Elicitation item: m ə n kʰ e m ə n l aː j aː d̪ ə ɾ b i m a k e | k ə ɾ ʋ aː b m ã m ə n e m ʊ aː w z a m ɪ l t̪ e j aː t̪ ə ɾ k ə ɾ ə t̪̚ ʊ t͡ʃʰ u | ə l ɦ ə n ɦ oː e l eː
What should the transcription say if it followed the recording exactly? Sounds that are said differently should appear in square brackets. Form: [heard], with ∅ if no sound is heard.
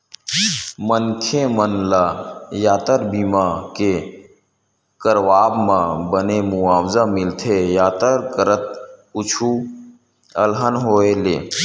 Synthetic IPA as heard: m ə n kʰ e m ə n l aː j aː [t̪] ə ɾ b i m a k e | k ə ɾ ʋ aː b m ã [b] ə n e m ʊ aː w z a m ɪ l [t̪ʰ] e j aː t̪ ə ɾ k ə ɾ ə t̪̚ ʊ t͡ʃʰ u | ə l ɦ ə n ɦ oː e l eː